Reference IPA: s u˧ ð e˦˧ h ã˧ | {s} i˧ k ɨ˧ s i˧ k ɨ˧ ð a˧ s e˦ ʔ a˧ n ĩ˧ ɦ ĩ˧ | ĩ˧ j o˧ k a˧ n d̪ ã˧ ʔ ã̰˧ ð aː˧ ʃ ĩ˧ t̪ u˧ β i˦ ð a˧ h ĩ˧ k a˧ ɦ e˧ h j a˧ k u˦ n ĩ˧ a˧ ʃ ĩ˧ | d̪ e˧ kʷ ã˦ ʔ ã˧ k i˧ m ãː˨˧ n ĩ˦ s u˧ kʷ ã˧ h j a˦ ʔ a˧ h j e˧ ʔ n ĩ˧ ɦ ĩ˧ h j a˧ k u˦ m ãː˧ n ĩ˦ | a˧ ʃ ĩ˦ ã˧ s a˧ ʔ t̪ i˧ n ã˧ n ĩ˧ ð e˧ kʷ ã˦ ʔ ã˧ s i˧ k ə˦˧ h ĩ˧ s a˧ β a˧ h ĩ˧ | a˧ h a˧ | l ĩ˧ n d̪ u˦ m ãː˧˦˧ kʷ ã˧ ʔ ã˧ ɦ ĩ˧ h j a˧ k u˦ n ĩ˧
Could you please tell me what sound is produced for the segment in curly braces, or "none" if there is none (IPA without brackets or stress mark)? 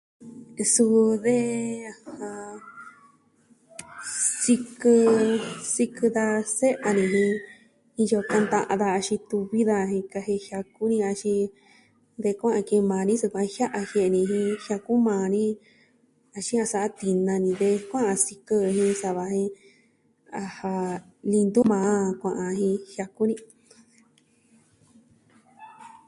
s